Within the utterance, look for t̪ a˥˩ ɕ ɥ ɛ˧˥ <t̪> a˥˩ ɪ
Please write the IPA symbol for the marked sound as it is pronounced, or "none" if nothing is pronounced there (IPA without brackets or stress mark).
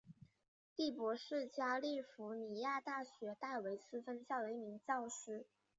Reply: t̪